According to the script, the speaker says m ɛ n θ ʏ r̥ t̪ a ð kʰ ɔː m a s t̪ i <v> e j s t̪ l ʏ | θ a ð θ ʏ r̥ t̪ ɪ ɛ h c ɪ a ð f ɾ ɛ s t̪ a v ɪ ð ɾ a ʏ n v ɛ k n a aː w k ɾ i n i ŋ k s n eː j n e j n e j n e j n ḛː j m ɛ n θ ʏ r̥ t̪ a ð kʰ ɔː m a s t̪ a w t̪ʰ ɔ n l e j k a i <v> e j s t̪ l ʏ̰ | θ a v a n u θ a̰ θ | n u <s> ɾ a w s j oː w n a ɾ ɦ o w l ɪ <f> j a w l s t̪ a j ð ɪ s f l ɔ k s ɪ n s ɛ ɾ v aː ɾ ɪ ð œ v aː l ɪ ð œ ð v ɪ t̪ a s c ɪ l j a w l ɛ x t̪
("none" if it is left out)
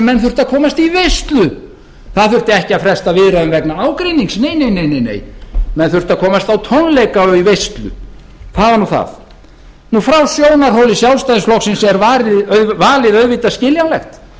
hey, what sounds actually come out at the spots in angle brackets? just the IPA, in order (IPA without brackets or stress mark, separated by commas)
v, v, f, s